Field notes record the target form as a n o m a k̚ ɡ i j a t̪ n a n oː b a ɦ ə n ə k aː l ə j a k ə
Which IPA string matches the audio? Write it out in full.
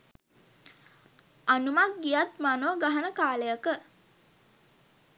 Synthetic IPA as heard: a n u m a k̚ ɡ i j a t̪ m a n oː ɡ a ɦ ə n ə k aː l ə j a k ə